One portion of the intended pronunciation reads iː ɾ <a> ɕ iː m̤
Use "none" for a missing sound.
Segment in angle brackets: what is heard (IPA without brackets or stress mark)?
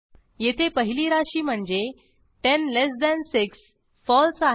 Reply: a